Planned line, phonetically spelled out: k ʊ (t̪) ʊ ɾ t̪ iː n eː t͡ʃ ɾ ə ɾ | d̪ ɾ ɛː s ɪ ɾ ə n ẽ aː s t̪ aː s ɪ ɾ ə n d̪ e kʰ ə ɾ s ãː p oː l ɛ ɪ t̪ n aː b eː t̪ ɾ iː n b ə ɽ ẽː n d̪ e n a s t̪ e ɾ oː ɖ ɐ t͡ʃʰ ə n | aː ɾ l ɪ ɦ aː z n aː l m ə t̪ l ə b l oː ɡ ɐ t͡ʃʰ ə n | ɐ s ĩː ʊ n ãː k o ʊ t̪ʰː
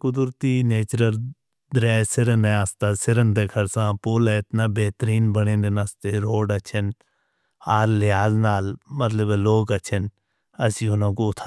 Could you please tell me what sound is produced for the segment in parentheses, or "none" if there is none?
d̪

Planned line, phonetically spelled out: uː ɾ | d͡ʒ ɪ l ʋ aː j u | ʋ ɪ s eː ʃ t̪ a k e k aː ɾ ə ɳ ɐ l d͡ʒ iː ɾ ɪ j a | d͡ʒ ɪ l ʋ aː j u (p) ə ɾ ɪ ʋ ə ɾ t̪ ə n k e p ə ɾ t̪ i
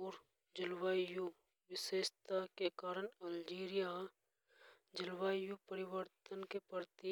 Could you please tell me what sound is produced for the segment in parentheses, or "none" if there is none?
p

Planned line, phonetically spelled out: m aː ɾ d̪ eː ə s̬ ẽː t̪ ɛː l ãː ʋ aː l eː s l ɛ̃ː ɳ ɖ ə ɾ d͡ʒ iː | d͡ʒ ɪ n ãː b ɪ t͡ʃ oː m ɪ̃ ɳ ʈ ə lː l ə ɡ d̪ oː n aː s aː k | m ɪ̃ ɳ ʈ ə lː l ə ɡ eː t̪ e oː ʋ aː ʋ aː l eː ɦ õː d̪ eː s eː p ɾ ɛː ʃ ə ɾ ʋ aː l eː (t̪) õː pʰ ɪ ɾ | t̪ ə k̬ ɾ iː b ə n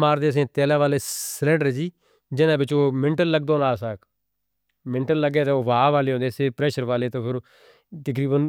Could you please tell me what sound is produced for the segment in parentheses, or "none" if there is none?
t̪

